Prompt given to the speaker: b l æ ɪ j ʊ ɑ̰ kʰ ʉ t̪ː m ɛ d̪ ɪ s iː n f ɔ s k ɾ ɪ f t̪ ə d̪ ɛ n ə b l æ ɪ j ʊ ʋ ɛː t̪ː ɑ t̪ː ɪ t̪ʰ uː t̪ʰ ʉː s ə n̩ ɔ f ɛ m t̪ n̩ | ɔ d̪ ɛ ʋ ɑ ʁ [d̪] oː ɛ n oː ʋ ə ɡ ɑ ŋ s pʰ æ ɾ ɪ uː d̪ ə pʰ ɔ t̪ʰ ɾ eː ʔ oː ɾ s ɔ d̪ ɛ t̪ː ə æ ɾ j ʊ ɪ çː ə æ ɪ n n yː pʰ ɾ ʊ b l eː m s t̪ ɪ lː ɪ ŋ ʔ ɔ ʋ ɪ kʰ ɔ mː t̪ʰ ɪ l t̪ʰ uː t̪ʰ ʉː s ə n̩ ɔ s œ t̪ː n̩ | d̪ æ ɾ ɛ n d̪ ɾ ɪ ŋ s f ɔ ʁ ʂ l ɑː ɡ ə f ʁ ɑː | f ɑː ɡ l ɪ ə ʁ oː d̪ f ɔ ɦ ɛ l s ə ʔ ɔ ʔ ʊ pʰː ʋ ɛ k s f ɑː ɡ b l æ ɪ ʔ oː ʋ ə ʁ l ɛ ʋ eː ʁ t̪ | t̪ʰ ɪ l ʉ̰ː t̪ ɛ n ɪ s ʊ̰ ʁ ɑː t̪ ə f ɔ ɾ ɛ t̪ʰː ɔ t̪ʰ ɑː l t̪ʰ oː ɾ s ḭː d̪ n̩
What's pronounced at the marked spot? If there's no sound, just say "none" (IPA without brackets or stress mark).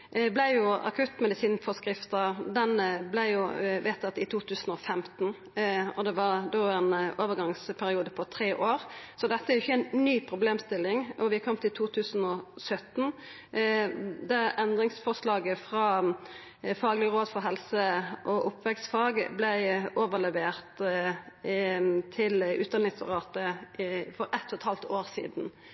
d̪